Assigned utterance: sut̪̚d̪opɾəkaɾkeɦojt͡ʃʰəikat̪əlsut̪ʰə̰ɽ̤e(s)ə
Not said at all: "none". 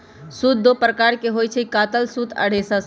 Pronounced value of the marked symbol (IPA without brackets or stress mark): s